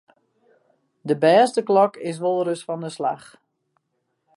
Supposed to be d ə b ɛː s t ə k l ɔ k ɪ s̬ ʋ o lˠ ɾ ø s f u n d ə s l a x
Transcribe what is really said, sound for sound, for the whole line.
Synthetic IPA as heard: d ə b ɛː s t ə k l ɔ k ɪ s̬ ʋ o lˠ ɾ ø s f ɔ n d ə s l a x